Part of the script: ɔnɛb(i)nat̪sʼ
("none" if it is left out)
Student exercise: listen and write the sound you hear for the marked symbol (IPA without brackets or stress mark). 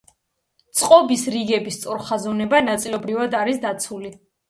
a